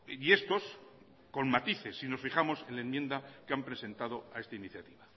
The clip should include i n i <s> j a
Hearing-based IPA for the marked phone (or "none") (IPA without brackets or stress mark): θ